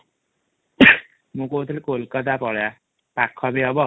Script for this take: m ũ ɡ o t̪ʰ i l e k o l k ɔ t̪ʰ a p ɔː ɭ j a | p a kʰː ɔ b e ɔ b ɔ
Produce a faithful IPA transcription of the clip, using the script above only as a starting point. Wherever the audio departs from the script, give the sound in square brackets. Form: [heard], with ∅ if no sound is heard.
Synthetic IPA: m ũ [k] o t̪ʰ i l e k o l k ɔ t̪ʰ a p [ɔ] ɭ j a | p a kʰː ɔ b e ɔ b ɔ